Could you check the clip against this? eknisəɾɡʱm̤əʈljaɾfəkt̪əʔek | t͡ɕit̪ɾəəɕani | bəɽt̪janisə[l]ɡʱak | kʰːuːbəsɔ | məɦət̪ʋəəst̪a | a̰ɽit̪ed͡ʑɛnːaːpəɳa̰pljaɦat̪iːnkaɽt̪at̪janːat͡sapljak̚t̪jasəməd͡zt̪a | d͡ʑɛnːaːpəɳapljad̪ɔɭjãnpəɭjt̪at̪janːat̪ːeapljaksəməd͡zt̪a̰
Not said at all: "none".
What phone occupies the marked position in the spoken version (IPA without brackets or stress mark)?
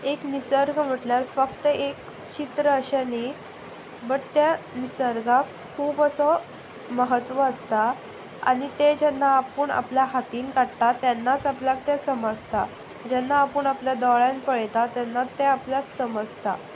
ɾ